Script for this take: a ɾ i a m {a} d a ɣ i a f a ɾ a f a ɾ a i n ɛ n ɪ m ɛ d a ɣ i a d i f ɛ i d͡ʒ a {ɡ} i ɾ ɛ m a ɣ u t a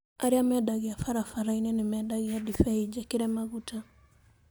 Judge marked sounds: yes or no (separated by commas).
no, no